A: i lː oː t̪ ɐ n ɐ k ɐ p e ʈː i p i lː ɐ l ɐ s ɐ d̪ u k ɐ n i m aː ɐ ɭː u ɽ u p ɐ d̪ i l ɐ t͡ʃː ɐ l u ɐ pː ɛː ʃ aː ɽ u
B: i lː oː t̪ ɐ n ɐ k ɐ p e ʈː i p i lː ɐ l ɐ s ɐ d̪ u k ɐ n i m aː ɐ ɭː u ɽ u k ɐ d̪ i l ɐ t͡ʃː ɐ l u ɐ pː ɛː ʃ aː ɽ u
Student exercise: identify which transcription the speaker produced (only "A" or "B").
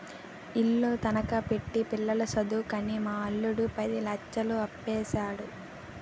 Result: A